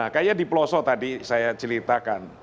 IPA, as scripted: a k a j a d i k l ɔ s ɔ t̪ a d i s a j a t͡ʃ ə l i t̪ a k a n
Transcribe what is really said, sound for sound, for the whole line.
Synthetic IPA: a k a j a d i p l ɔ s ɔ t̪ a d i s a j a t͡ʃ ə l i t̪ a k a n